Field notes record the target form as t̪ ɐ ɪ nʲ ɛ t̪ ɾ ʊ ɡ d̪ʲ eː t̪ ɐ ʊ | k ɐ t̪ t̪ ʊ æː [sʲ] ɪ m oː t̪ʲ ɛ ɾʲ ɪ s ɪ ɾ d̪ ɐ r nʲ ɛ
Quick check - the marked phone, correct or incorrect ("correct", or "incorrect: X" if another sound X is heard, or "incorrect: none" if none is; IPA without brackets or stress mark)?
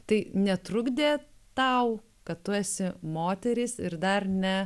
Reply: correct